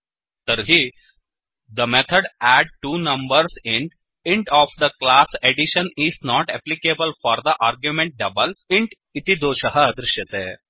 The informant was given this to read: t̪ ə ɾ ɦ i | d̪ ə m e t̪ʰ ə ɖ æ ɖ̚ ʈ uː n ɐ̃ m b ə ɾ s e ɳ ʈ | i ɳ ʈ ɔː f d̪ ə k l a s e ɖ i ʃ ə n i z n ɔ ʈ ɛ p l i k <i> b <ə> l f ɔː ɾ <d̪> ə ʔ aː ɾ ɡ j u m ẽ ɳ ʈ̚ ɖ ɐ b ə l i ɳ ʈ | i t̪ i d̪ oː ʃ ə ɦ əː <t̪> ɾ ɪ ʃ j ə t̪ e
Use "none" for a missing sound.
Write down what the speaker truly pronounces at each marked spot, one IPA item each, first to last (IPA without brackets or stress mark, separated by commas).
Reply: e, ə, d̪, d̪